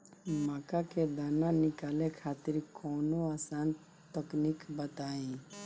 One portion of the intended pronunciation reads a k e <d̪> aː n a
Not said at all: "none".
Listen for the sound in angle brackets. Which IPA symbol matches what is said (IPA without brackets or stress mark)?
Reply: d̪